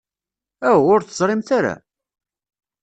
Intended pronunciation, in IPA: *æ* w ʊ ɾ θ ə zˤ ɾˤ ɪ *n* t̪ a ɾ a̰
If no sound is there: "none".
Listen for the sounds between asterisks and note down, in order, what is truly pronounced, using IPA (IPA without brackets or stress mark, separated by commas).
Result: æ, m